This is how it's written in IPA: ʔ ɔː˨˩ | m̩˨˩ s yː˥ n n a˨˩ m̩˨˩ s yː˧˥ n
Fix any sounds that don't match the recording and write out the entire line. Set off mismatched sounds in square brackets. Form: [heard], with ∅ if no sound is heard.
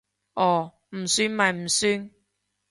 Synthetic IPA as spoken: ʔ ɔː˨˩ | m̩˨˩ s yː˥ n [m] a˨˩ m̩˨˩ s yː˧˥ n